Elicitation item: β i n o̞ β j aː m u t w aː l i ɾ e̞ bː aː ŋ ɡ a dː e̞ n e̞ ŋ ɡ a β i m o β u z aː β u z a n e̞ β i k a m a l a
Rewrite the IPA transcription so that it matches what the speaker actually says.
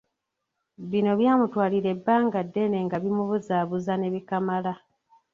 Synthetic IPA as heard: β i n o̞ β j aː m u t w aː l i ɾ e̞ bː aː ŋ ɡ a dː e̞ n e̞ ŋ ɡ a β i m u β u z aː β u z a n e̞ β i k a m a l a